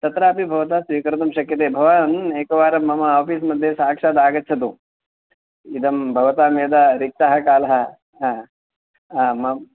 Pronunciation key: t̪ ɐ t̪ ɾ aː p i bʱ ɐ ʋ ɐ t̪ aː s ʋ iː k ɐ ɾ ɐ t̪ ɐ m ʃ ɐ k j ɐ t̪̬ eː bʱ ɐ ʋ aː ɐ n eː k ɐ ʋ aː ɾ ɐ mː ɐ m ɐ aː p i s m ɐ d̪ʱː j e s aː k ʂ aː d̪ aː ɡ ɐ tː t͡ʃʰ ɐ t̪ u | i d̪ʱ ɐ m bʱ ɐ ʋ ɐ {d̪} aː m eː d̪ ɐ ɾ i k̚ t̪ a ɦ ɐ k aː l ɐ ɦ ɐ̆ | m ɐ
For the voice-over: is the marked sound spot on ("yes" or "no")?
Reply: no